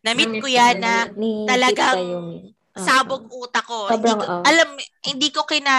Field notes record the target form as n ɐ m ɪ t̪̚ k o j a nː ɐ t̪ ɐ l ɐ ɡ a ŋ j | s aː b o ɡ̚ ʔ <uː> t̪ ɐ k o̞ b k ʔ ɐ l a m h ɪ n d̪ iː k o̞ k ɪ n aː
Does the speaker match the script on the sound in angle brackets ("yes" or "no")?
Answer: yes